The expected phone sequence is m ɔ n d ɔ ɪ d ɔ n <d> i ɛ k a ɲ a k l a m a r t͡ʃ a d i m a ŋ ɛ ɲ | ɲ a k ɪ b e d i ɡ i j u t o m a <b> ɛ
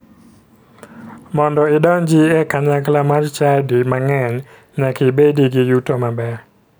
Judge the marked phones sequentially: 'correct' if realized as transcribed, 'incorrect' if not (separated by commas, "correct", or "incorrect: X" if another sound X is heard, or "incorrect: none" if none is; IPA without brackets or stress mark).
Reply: incorrect: d͡ʒ, correct